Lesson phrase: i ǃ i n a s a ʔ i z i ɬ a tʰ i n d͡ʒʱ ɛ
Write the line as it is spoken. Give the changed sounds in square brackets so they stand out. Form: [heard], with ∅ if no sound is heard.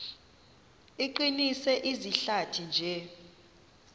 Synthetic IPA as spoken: i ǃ i n [i] s [ɛ] ʔ i z i ɬ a tʰ i n d͡ʒʱ ɛ